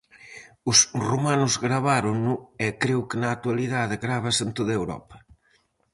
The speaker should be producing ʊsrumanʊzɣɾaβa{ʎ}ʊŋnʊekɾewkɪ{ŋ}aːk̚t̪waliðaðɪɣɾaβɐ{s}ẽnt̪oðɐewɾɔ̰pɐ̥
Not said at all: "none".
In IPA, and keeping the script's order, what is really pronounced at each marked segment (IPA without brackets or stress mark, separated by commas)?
ɾ, n, s